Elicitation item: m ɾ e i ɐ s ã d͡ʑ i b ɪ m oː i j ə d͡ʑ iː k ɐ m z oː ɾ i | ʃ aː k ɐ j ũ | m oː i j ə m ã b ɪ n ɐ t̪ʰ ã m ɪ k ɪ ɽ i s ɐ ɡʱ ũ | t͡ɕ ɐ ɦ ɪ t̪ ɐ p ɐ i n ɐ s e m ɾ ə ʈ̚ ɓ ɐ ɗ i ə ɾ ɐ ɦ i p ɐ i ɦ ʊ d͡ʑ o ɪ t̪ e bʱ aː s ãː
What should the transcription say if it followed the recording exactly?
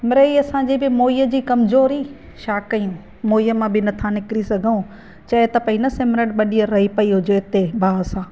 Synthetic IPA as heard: m ɾ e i ɐ s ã d͡ʑ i b ɪ m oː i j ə d͡ʑ iː k ɐ m z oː ɾ i | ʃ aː k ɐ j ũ | m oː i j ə m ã b ɪ n ɐ t̪ʰ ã n ɪ k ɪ ɾ i s ɐ ɡʱ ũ | t͡ɕ ɐ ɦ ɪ t̪ ɐ p ɐ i n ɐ s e m ɾ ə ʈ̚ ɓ ɐ ɗ i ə ɾ ɐ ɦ i p ɐ i ɦ ʊ d͡ʑ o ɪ t̪ e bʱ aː s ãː